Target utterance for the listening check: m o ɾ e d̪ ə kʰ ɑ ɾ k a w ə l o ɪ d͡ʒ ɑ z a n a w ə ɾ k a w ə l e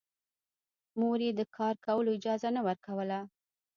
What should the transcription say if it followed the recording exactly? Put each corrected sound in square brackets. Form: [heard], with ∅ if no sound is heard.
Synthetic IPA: m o ɾ e d̪ ə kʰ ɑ ɾ k a w ə l o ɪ d͡ʒ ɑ z a n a w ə ɾ k a w ə l [a]